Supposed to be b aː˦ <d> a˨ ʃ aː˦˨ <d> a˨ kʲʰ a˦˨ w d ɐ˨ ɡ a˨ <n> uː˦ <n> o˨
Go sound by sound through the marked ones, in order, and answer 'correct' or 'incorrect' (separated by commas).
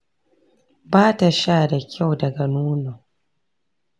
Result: incorrect, correct, correct, correct